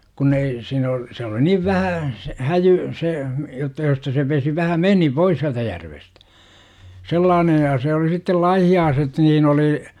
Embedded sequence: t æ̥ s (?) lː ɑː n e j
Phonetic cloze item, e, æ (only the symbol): e